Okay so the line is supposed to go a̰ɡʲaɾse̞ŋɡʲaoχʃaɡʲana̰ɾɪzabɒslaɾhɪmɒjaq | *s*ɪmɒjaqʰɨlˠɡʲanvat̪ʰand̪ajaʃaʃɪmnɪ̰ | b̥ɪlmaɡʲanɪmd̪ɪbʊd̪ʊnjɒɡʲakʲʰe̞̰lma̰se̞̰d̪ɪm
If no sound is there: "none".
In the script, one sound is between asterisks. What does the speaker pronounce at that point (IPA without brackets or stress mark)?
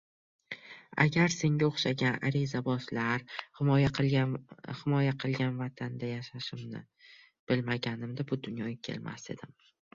h